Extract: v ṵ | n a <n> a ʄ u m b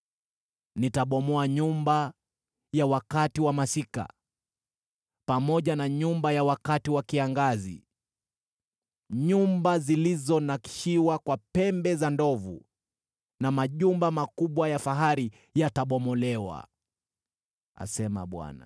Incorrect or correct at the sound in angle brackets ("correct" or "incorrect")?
incorrect